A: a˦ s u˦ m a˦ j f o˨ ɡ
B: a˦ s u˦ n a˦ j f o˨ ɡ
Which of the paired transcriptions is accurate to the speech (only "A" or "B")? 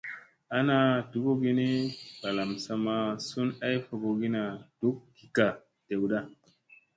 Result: B